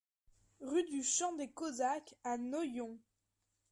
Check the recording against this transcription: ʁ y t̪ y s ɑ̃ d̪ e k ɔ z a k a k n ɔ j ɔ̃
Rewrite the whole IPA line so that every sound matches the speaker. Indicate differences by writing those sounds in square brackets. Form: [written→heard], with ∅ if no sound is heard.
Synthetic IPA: ʁ y [t̪→d̪] y [s→ʃ] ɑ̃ d̪ e k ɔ z a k a [k→∅] n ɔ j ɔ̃